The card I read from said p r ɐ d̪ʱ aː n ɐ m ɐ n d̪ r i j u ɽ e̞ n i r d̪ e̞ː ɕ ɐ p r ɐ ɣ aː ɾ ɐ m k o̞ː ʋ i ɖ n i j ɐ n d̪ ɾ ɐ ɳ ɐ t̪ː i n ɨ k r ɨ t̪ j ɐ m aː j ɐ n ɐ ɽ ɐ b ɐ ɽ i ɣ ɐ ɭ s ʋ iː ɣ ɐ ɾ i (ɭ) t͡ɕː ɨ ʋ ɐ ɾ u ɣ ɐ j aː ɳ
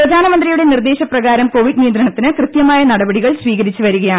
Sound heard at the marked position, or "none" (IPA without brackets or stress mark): none